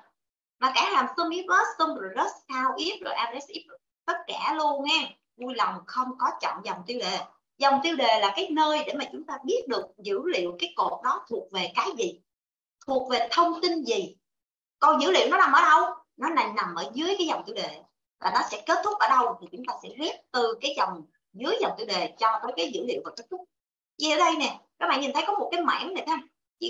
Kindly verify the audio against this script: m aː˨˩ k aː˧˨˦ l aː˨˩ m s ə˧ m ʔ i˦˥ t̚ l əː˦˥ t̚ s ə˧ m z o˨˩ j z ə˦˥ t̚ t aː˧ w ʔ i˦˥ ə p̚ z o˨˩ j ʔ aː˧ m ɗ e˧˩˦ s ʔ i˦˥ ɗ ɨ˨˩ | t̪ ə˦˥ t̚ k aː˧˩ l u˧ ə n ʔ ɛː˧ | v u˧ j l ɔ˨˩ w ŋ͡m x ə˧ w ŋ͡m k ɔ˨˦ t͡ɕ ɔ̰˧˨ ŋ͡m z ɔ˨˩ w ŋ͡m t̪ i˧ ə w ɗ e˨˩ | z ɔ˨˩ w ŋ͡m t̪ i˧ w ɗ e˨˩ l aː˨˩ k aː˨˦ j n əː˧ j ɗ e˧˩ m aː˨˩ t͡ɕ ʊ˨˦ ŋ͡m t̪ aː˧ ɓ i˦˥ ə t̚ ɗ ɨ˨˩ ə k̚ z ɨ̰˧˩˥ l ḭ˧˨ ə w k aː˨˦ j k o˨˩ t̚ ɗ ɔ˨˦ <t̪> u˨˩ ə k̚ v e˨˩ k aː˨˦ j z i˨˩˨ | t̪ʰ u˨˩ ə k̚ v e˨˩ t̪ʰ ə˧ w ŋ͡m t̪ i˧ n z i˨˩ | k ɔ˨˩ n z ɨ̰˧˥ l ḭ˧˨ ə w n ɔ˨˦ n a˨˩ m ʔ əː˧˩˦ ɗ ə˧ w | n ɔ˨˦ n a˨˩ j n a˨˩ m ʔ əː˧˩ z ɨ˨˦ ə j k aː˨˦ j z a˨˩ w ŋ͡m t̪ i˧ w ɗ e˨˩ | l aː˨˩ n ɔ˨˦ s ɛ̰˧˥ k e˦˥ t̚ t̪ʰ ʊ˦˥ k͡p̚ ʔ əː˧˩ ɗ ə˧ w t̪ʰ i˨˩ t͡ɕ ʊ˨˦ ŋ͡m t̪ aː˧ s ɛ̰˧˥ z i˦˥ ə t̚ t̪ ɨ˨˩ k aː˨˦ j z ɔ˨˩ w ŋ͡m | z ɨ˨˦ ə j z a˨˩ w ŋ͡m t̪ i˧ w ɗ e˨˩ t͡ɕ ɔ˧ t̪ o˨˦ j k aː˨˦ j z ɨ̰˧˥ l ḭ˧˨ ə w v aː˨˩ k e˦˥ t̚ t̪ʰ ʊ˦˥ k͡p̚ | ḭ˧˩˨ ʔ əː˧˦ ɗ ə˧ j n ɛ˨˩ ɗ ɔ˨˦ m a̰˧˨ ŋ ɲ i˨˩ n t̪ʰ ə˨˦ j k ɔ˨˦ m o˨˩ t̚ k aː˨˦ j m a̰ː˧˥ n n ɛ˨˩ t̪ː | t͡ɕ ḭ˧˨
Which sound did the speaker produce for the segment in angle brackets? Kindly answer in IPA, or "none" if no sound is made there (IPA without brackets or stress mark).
t̪ʰ